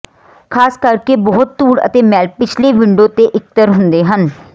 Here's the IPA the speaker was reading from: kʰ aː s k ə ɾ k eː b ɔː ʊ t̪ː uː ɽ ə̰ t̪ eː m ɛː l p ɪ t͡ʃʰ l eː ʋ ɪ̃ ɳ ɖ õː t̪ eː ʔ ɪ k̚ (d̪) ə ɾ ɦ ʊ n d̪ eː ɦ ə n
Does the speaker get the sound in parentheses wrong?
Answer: yes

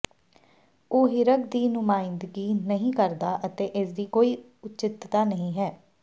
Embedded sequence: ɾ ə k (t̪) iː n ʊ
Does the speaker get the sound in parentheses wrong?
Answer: yes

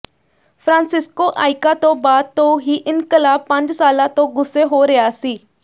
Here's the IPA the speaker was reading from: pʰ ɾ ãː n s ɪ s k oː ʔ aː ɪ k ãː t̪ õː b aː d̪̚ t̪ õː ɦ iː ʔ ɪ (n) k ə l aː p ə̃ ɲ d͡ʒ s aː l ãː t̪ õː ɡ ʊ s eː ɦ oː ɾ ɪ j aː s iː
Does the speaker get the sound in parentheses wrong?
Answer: no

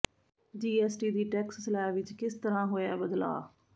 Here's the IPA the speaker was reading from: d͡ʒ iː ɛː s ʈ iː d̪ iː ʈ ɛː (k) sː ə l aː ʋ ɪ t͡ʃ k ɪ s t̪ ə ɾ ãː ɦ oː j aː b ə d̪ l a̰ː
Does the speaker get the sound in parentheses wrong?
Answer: no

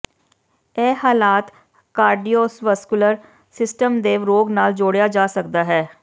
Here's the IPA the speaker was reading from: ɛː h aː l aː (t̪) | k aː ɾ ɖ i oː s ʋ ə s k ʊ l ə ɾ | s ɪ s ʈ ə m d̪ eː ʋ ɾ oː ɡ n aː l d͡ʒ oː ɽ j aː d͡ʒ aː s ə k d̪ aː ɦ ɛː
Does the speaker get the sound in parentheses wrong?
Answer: no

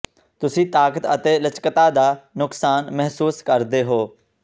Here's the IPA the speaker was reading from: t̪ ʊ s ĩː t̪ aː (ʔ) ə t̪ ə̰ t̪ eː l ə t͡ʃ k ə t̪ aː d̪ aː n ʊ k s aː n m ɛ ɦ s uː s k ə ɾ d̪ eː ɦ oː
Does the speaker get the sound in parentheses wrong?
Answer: yes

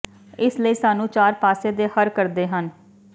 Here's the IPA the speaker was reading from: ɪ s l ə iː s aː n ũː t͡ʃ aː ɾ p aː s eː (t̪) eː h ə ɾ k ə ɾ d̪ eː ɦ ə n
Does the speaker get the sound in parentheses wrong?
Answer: yes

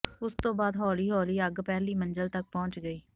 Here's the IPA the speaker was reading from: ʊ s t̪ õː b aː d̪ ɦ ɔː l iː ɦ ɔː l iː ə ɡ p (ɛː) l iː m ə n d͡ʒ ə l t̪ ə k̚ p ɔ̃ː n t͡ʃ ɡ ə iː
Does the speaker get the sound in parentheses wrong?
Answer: no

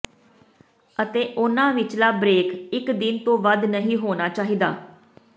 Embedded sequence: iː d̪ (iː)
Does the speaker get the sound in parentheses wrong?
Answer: yes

